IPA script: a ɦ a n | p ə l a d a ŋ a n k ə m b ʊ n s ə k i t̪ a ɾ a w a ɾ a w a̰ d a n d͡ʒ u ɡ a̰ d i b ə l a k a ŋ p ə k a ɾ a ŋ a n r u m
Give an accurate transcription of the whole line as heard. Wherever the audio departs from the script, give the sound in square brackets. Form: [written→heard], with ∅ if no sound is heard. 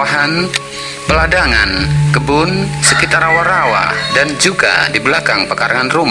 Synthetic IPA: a ɦ a n | p ə l a d a ŋ a n k ə [m→∅] b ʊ n s ə k i t̪ a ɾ a w a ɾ a w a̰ d a n d͡ʒ u ɡ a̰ d i b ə l a k a ŋ p ə k a ɾ a ŋ a n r u m